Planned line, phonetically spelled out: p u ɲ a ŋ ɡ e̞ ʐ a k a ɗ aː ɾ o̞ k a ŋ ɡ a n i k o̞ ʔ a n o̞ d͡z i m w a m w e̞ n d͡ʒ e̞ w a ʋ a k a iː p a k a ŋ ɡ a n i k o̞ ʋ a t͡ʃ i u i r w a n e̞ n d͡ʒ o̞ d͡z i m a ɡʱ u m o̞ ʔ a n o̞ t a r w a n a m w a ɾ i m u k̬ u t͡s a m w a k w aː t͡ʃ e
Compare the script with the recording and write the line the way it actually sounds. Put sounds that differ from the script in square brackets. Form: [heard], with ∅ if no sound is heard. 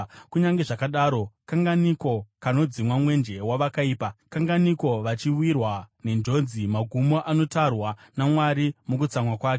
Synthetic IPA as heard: [k] u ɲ a ŋ ɡ e̞ ʐ a k a ɗ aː ɾ o̞ k a ŋ ɡ a n i k o̞ [k] a n o̞ d͡z i m w a m w e̞ n d͡ʒ e̞ w a ʋ a k a iː p a k a ŋ ɡ a n i k o̞ ʋ a t͡ʃ i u i r w a n e̞ n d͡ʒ o̞ d͡z i m a ɡʱ u m o̞ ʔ a n o̞ t a r w a n a m w a ɾ i m u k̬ u t͡s a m w a k w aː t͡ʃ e